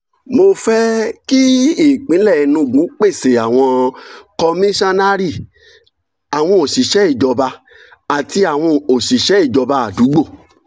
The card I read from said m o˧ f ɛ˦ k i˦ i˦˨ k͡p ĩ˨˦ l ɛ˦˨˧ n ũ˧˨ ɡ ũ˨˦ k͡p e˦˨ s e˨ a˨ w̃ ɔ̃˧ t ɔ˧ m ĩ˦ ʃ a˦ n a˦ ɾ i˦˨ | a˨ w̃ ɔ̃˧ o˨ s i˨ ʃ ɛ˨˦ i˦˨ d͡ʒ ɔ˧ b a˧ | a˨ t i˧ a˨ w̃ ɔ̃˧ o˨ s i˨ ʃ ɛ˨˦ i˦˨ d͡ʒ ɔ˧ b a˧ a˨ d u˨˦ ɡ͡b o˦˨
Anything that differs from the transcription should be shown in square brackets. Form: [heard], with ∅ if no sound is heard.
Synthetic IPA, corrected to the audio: m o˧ f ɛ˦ k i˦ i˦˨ k͡p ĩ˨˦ l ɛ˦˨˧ n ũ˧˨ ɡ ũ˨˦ k͡p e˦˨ s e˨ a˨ w̃ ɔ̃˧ [k] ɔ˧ m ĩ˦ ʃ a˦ n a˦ ɾ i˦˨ | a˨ w̃ ɔ̃˧ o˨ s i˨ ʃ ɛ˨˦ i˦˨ d͡ʒ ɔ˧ b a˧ | a˨ t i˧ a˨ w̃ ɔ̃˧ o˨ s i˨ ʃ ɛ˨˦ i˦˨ d͡ʒ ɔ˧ b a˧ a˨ d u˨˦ ɡ͡b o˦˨

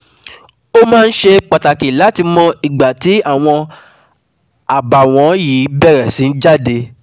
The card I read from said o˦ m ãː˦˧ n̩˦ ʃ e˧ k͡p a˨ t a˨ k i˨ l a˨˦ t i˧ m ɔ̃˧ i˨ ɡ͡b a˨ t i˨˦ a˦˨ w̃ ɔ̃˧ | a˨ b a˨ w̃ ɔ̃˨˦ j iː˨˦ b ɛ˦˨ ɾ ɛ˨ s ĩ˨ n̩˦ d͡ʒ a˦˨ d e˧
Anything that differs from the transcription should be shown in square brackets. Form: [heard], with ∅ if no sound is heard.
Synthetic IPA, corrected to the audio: o˦ m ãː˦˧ n̩˦ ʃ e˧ k͡p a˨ t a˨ k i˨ l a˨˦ t i˧ m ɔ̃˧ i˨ ɡ͡b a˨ t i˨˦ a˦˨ w̃ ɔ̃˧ | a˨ b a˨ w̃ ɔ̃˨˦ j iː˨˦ b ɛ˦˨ ɾ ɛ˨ s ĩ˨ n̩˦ d͡ʒ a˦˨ d e˧

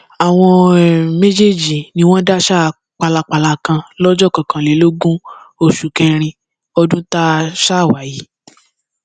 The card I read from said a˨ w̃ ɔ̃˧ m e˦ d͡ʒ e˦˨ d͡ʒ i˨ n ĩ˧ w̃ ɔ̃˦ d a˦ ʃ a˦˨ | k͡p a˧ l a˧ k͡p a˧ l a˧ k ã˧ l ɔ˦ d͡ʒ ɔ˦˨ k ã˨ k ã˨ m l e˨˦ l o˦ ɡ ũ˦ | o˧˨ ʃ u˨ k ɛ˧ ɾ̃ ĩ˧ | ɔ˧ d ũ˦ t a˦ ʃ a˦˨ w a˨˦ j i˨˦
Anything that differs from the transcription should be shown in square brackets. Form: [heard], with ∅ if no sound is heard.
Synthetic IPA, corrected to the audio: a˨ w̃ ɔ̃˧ m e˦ d͡ʒ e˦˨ d͡ʒ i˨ n ĩ˧ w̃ ɔ̃˦ d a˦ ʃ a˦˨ | k͡p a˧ l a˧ k͡p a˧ l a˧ k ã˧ l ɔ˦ d͡ʒ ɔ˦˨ k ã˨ k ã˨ [∅] l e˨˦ l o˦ ɡ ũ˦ | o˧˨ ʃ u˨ k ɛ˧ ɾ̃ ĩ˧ | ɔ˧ d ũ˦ t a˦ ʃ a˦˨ w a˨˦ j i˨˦

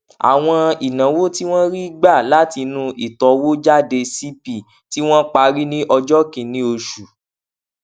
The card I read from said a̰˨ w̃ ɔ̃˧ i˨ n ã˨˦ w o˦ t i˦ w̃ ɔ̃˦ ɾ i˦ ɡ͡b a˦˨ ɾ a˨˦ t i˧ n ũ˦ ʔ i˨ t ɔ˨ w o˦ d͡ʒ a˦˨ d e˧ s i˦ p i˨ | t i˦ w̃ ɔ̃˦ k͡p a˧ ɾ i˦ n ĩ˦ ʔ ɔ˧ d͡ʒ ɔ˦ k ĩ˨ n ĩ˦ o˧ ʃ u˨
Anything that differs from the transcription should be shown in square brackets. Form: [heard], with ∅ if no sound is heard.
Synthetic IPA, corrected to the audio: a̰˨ w̃ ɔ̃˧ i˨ n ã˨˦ w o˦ t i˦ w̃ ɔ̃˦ ɾ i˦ ɡ͡b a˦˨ [l] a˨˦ t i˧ n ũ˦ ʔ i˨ t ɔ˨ w o˦ d͡ʒ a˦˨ d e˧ s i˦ p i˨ | t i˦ w̃ ɔ̃˦ k͡p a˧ ɾ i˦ n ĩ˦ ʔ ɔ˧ d͡ʒ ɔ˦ k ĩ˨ n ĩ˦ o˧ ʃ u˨

